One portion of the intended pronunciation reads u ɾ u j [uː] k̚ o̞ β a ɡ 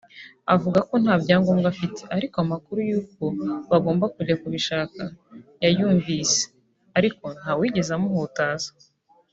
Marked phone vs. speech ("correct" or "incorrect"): correct